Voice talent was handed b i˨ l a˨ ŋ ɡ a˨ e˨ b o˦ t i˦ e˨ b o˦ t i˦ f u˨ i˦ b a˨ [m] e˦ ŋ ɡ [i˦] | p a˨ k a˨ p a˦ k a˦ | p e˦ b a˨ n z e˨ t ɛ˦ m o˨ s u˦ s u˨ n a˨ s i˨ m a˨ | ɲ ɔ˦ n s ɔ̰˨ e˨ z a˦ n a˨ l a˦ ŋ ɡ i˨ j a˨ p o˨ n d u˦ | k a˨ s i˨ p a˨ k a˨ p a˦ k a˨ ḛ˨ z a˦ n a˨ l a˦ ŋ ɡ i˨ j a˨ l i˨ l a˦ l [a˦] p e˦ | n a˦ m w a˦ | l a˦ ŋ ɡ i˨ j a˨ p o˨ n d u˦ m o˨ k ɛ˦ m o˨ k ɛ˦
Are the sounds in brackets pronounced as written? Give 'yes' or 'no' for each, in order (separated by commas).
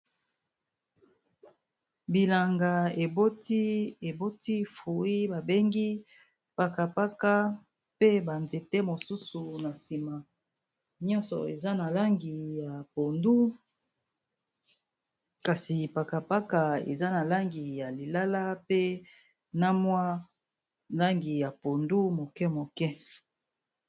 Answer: no, yes, yes